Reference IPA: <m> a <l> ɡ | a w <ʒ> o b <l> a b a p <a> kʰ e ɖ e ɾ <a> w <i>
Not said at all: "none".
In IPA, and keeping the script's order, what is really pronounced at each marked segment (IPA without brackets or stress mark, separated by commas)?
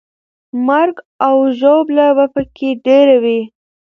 m, ɾ, ʒ, l, ə, a, i